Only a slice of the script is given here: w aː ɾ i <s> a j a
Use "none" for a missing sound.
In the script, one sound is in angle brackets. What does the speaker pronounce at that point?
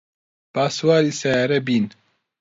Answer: s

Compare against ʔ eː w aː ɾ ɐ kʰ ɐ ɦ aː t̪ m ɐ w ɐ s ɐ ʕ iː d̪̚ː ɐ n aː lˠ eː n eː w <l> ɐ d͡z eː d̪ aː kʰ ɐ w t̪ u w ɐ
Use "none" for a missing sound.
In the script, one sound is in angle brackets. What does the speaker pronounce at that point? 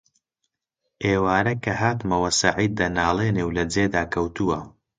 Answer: l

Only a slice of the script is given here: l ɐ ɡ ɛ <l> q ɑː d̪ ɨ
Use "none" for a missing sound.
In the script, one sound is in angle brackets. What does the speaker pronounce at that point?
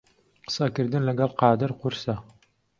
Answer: l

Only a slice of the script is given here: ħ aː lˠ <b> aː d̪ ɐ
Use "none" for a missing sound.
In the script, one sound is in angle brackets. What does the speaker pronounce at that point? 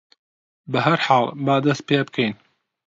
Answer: b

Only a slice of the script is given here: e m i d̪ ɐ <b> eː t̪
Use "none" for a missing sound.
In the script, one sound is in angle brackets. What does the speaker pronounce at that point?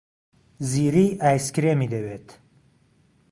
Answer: w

